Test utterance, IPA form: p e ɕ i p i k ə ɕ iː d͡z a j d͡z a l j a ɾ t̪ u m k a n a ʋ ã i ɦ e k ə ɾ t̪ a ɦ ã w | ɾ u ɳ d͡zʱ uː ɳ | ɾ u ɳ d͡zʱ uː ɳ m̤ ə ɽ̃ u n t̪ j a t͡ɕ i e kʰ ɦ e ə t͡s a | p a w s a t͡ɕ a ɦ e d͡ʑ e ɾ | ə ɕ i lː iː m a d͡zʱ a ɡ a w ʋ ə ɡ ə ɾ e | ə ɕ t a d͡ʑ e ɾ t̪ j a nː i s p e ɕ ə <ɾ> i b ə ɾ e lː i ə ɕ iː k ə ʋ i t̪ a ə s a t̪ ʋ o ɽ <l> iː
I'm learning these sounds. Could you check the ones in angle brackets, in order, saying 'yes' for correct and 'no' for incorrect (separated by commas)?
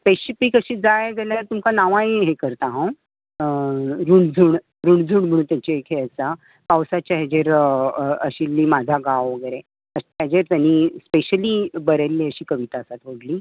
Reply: no, yes